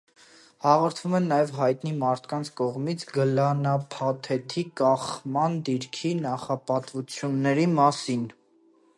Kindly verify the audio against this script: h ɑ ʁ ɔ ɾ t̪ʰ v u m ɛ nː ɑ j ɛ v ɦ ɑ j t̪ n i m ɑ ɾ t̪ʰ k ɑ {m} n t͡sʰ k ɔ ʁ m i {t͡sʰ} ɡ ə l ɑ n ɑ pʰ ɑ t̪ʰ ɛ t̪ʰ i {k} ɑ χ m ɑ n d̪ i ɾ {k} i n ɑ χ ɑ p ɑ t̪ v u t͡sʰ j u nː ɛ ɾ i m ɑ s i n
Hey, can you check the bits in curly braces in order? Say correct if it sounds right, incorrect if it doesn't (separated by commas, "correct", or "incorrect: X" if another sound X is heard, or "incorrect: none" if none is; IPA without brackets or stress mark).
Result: incorrect: none, correct, correct, incorrect: kʰ